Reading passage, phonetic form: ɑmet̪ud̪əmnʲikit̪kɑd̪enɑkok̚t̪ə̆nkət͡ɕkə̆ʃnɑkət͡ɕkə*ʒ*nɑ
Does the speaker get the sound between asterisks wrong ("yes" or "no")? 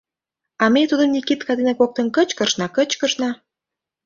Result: yes